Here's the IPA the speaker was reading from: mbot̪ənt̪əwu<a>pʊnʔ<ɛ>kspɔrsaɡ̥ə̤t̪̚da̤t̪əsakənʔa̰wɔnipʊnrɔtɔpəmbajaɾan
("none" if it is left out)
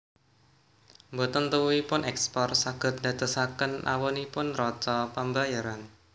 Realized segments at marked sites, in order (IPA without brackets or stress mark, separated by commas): i, ɛ